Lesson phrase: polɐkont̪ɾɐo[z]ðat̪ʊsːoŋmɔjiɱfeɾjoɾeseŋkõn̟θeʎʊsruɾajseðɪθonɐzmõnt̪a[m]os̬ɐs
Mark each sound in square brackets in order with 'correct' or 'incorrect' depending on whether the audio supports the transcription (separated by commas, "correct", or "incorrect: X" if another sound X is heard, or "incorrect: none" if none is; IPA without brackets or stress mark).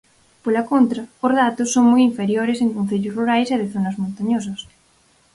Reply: correct, incorrect: ɲ